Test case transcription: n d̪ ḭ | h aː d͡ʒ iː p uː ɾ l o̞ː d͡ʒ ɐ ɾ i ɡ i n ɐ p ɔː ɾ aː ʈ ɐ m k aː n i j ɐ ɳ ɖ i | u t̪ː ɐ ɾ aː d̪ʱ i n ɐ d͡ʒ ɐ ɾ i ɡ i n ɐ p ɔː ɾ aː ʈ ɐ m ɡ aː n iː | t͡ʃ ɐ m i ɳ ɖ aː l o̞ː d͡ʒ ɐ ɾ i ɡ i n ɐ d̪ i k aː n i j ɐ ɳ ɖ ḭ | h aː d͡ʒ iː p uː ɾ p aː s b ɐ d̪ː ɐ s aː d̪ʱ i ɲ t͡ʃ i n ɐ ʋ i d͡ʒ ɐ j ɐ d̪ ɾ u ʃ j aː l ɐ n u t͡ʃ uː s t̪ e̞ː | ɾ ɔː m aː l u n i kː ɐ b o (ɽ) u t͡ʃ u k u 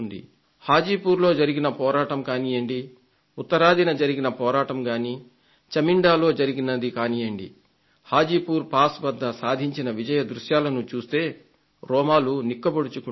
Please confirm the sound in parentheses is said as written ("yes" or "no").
yes